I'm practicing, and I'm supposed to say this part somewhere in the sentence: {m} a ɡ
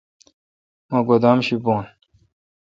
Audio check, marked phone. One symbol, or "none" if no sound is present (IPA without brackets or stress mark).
m